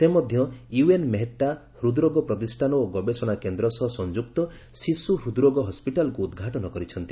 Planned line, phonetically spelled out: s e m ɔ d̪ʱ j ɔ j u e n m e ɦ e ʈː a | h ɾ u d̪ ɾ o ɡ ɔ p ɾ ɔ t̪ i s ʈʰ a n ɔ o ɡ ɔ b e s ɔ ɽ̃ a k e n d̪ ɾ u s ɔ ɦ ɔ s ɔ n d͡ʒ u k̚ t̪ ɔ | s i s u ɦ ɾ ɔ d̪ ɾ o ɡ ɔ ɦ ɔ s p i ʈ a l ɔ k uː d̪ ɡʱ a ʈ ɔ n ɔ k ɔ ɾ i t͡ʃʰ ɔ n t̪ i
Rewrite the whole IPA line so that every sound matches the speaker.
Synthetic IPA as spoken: s e m ɔ d̪ʱ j ɔ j u e n m e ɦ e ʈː a | h ɾ u d̪ ɾ o ɡ ɔ p ɾ ɔ t̪ i s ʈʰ a n ɔ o ɡ ɔ b e s ɔ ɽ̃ a k e n d̪ ɾ ɔ s ɔ ɦ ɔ s ɔ n d͡ʒ u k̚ t̪ ɔ | s i s u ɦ ɾ u d̪ ɾ o ɡ ɔ ɦ ɔ s p i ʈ a l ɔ k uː d̪ ɡʱ a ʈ ɔ n ɔ k ɔ ɾ i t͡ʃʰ ɔ n t̪ i